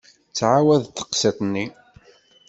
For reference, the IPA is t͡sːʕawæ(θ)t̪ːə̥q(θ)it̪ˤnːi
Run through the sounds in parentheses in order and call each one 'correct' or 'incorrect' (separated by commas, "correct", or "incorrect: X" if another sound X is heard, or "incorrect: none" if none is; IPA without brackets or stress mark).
incorrect: ð, incorrect: s